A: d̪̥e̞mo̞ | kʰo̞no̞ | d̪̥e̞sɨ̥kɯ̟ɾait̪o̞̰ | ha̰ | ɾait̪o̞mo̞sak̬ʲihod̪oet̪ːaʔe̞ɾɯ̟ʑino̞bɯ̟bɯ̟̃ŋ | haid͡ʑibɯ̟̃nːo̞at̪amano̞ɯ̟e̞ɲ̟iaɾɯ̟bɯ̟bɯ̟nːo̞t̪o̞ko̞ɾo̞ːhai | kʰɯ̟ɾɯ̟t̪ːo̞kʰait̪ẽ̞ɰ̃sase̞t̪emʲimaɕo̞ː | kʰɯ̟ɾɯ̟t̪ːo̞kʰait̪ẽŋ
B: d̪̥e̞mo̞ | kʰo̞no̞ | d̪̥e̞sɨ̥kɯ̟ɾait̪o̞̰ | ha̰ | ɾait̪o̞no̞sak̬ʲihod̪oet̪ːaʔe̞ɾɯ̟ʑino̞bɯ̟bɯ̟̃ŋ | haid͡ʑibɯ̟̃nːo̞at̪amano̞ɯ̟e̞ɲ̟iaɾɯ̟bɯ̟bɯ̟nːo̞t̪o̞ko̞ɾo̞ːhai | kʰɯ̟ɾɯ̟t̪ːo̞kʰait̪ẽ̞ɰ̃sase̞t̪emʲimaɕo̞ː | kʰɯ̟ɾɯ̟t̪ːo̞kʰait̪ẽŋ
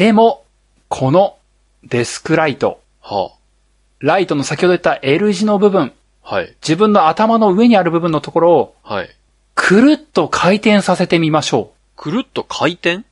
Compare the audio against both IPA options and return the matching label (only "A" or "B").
B